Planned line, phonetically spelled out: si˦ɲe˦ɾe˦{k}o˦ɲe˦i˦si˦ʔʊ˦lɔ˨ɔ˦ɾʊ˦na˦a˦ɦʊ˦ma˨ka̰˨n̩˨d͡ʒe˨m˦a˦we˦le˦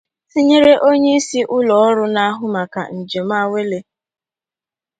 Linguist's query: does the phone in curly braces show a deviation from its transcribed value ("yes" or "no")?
yes